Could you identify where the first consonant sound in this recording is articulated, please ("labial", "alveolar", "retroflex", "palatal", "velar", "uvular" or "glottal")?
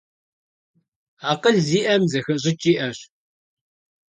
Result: uvular